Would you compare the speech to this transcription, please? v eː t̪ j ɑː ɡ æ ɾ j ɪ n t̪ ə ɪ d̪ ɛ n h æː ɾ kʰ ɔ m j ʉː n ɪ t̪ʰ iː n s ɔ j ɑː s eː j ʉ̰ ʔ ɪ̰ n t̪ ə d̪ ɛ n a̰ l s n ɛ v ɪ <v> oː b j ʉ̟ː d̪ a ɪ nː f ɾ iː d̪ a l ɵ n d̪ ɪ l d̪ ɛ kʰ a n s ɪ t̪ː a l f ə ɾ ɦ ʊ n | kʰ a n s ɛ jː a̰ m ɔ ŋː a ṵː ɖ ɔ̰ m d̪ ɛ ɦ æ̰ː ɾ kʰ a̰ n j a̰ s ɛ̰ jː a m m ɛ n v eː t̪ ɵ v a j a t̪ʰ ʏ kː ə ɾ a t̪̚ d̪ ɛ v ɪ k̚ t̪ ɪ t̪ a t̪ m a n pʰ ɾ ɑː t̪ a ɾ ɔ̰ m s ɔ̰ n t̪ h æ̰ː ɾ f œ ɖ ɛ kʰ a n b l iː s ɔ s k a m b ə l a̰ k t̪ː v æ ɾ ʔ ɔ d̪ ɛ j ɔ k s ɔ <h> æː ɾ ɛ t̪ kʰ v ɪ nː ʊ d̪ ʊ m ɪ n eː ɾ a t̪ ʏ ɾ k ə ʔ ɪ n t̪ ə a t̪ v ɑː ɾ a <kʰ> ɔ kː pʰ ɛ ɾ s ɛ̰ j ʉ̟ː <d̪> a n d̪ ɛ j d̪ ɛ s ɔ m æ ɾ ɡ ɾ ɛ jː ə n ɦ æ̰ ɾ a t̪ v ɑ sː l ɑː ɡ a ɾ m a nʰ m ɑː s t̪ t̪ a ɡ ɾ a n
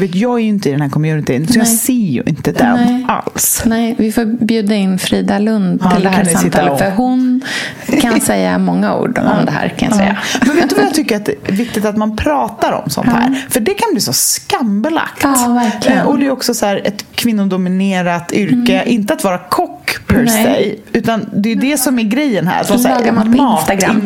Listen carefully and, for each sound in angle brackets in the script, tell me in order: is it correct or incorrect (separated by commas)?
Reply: incorrect, incorrect, correct, incorrect